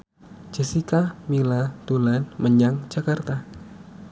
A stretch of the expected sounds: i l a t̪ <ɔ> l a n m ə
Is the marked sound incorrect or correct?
incorrect